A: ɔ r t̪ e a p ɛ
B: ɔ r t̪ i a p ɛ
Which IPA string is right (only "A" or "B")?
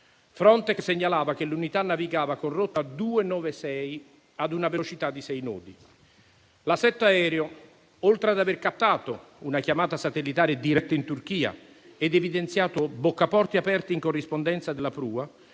B